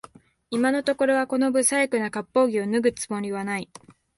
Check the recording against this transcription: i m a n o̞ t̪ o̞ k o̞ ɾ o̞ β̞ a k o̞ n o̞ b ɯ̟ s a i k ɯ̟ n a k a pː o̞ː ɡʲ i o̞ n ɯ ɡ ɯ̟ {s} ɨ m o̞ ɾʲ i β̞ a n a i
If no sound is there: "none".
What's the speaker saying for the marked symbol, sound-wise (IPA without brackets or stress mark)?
t͡s